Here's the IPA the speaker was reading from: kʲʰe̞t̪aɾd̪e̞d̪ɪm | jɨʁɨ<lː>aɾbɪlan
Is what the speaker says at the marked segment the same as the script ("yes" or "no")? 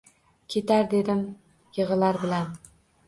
no